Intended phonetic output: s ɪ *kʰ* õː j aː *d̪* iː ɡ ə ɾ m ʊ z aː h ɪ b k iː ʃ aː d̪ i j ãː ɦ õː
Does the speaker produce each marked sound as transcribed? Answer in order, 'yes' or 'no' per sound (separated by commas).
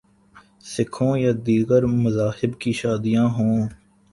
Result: yes, yes